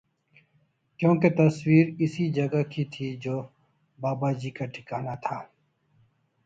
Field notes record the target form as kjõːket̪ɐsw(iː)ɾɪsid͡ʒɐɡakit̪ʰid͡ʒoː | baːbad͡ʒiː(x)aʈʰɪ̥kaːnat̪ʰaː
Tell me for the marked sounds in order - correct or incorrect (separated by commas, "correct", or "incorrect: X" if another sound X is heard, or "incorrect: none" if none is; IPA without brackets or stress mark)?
correct, incorrect: k